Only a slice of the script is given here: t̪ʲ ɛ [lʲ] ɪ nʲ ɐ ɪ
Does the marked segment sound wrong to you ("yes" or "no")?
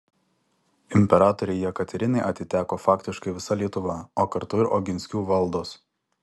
yes